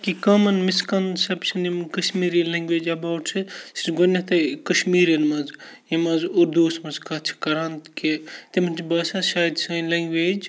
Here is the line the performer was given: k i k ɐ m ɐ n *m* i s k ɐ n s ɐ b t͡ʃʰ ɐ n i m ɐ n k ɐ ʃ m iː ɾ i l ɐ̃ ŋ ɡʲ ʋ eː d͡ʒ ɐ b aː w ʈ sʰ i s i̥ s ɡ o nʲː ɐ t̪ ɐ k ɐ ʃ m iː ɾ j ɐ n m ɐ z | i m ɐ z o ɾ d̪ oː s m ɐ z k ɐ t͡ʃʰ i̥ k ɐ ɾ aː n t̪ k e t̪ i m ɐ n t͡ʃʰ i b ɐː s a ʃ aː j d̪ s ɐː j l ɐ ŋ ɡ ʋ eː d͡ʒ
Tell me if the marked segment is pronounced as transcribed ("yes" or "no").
yes